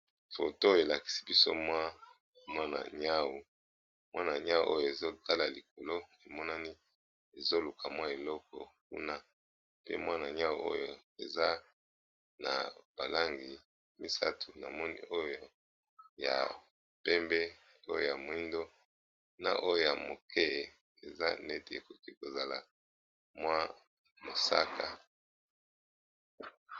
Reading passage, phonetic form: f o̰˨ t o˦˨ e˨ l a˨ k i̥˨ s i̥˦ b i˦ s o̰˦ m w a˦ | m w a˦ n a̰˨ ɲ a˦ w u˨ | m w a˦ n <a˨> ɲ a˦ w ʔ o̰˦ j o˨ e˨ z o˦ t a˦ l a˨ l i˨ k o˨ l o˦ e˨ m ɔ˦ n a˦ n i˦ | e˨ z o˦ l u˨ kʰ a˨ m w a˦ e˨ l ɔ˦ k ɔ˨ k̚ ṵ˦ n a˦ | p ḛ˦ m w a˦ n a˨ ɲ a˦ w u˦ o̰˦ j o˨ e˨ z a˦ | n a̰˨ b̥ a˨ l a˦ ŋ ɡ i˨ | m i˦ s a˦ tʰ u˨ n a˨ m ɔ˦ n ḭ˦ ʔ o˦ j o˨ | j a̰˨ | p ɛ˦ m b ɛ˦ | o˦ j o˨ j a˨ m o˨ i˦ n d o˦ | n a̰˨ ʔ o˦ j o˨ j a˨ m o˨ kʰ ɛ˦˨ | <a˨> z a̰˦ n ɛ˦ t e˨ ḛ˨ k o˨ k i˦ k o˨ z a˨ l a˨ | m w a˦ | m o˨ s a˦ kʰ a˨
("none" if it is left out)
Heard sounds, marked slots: a˨, e˨

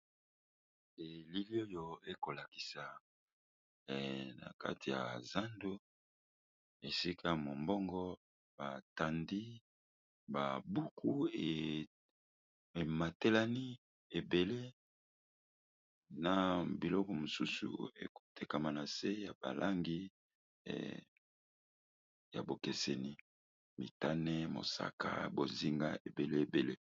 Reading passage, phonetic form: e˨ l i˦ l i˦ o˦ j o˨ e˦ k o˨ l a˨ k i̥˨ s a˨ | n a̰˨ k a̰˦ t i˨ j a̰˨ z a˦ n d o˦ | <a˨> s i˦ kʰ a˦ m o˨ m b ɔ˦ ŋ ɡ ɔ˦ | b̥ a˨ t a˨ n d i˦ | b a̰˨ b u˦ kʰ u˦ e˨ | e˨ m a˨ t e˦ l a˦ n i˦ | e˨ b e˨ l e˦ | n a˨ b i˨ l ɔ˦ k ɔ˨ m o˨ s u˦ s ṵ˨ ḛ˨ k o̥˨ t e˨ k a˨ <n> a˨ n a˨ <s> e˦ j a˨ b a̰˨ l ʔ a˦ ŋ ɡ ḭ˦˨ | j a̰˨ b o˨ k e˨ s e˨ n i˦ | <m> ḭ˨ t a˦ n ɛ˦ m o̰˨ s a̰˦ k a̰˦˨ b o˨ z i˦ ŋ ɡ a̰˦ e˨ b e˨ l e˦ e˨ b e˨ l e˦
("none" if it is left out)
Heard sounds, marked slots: e˨, m, s, m

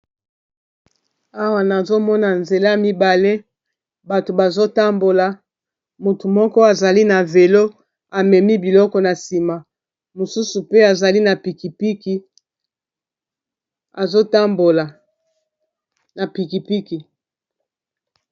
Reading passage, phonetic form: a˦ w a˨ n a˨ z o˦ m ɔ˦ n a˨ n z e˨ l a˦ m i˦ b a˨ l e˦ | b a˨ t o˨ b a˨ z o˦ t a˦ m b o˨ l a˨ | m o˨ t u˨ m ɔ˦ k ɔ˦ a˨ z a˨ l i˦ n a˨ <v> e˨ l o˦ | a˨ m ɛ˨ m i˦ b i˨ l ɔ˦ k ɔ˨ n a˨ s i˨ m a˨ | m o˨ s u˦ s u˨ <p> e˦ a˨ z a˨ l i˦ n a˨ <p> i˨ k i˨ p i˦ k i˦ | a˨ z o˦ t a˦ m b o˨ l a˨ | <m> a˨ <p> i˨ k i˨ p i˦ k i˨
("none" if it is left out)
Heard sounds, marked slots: v, p, p, n, p

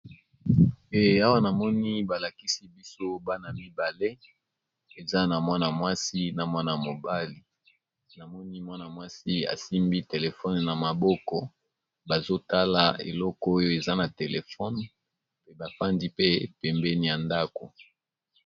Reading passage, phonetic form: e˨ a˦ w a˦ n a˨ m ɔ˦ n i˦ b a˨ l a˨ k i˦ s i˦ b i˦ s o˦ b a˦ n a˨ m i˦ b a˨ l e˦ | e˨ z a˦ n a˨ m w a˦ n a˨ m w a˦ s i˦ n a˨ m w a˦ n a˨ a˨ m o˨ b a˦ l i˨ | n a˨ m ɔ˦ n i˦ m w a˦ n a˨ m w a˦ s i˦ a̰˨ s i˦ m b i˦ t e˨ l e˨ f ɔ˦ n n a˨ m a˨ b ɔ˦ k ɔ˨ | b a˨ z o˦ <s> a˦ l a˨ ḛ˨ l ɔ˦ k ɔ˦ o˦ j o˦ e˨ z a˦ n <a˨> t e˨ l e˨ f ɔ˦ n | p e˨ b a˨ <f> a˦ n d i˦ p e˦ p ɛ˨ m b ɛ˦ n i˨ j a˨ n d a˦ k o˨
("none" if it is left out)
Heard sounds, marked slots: t, a˨, f

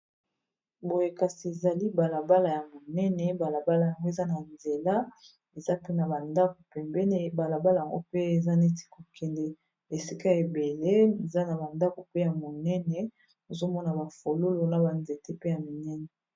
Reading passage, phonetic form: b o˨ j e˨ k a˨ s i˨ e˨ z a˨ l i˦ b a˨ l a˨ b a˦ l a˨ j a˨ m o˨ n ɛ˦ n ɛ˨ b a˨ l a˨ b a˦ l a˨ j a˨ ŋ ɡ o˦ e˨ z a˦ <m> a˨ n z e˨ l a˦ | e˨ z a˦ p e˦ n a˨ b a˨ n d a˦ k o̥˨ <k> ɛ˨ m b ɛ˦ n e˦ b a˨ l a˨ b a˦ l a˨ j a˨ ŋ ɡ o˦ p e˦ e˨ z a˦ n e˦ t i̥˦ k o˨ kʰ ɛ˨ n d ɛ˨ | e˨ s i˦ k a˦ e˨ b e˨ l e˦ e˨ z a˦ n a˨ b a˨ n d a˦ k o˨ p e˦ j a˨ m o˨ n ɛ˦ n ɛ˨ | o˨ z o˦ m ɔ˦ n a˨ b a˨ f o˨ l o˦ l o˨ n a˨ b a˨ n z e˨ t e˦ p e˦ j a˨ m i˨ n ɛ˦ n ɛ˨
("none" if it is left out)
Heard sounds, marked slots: n, p

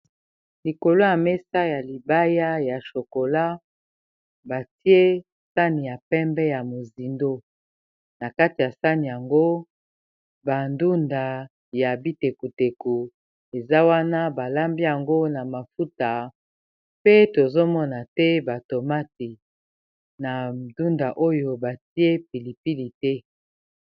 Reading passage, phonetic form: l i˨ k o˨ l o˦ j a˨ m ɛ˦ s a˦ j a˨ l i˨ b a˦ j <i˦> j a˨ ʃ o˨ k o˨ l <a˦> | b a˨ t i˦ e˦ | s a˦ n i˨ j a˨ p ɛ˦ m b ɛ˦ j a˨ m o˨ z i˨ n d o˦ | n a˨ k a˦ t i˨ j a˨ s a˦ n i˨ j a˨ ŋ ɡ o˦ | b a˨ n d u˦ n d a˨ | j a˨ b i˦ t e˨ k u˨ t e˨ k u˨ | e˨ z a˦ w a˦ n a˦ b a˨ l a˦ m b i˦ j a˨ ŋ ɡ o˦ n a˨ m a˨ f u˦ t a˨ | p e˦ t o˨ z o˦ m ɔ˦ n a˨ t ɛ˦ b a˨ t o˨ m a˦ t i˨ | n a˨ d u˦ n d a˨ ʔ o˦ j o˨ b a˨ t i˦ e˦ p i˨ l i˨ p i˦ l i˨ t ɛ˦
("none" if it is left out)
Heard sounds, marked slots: a˦, a˦

